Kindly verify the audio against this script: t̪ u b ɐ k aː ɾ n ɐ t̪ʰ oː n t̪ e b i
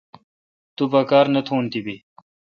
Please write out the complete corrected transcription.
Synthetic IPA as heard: t̪ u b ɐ k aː ɾ n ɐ t̪ʰ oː n t̪ i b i